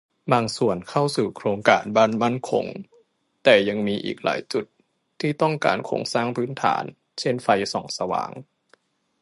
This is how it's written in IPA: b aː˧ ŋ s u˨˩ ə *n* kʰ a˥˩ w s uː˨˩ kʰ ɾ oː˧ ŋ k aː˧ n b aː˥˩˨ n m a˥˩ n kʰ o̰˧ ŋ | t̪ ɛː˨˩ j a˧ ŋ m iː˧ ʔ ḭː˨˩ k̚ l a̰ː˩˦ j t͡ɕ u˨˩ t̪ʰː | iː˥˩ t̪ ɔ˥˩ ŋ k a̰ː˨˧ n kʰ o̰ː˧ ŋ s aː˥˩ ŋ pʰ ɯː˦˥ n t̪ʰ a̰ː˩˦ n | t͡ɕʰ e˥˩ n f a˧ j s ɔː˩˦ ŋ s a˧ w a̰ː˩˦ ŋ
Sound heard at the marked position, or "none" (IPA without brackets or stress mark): n